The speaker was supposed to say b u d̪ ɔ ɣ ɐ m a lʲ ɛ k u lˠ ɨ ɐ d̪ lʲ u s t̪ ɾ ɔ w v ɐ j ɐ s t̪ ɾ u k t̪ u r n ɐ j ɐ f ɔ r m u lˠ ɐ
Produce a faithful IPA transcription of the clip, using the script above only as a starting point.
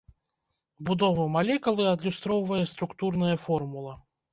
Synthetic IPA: b u d̪ ɔ v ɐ m a lʲ ɛ k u lˠ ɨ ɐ d̪ lʲ u s t̪ ɾ ɔ w v ɐ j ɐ s t̪ ɾ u k t̪ u r n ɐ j ɐ f ɔ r m u lˠ ɐ